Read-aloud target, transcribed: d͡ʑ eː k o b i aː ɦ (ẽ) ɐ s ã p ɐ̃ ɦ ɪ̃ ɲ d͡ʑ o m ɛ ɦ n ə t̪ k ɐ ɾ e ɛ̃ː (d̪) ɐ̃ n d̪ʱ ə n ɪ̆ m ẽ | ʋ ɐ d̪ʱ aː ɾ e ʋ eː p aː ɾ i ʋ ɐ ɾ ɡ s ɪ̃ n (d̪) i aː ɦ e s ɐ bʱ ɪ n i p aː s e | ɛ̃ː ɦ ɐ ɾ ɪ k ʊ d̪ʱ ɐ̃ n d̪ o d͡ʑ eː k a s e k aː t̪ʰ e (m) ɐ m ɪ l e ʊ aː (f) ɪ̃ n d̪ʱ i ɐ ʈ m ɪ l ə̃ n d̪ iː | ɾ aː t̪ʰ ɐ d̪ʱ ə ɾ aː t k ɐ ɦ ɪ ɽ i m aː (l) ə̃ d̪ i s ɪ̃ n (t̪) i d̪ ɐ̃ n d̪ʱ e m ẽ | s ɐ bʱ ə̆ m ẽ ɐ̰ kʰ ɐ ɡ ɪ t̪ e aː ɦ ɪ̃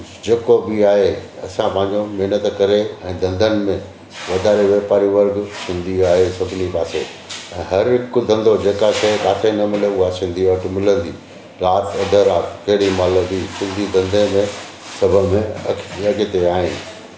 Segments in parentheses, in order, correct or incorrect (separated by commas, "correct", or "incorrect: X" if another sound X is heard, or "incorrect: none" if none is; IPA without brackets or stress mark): incorrect: e, correct, correct, incorrect: n, incorrect: s, correct, incorrect: d̪